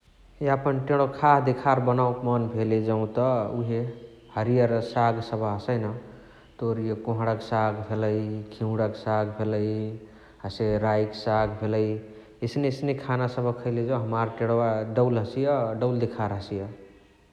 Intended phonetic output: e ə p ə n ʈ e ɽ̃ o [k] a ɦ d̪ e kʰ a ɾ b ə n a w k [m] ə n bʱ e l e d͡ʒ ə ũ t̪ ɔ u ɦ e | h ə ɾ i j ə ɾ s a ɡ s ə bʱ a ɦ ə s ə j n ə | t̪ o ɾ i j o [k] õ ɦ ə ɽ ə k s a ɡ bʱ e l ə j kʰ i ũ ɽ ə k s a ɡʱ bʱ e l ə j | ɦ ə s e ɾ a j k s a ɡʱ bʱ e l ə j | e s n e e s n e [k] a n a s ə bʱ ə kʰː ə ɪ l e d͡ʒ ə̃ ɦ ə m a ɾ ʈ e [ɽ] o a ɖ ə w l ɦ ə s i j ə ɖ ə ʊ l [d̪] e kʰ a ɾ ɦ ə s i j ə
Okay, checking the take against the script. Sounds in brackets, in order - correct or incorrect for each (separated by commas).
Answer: incorrect, correct, correct, incorrect, correct, correct